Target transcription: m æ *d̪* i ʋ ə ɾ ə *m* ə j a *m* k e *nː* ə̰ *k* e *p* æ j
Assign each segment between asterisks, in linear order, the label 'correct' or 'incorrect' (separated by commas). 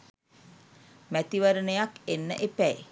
incorrect, incorrect, incorrect, correct, incorrect, correct